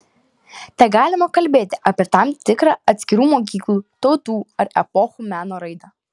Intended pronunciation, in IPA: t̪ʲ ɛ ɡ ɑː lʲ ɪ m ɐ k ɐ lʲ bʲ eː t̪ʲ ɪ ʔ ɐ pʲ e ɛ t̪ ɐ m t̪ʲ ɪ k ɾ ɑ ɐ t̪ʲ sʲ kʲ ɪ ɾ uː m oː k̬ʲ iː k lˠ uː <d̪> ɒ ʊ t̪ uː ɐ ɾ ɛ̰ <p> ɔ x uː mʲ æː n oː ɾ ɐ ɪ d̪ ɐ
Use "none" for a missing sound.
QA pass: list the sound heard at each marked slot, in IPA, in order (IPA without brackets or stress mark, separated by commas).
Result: t̪, p